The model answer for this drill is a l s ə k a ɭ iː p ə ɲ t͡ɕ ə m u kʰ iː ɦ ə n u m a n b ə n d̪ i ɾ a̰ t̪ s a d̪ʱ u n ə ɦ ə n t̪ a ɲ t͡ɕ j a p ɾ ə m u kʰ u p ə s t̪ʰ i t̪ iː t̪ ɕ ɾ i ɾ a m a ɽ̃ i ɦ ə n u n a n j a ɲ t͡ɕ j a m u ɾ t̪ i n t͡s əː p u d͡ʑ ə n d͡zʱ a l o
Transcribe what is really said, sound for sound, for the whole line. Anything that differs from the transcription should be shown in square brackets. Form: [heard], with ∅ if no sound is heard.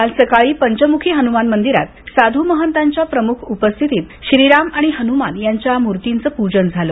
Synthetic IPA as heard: a l s ə k a ɭ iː p ə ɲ t͡ɕ ə m u kʰ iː ɦ ə n u m a n [m] ə n d̪ i ɾ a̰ t̪ s a d̪ʱ u [m] ə ɦ ə n t̪ a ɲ t͡ɕ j a p ɾ ə m u kʰ u p ə s t̪ʰ i t̪ iː t̪ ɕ ɾ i ɾ a m a ɽ̃ i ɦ ə n u [m] a n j a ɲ t͡ɕ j a m u ɾ t̪ i n t͡s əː p u d͡ʑ ə n d͡zʱ a l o